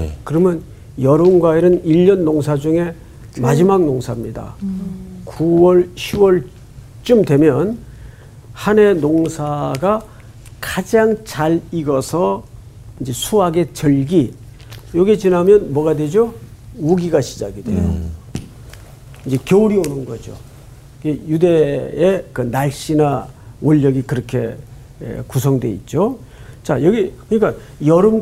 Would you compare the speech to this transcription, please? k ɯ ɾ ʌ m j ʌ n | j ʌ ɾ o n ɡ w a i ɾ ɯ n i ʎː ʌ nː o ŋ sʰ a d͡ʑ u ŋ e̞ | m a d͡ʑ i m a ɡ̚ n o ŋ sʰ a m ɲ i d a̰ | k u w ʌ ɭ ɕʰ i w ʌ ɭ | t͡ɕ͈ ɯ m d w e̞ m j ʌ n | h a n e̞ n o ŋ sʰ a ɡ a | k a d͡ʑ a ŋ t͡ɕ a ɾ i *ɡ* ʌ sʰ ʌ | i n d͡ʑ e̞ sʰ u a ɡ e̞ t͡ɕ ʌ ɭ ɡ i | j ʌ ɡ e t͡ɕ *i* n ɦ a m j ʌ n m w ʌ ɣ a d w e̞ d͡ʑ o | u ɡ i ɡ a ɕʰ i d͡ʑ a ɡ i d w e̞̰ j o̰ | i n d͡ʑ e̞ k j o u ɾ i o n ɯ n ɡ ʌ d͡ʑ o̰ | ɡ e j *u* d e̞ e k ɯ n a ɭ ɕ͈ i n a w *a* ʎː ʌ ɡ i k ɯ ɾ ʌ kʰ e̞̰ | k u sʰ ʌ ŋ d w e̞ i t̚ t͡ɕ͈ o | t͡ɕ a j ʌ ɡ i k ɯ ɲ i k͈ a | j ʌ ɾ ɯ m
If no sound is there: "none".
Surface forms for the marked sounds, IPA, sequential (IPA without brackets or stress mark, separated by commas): ɡ, i, u, ʌ